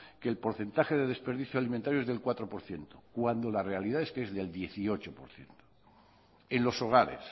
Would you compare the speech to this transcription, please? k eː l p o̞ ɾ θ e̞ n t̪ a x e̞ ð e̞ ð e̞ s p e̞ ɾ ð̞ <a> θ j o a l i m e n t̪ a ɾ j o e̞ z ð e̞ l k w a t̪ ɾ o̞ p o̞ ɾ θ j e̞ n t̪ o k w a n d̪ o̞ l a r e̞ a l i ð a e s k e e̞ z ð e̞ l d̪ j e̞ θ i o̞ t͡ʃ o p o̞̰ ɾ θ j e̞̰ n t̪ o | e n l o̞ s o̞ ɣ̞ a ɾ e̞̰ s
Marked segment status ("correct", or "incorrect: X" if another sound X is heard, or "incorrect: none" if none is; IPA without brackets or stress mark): incorrect: i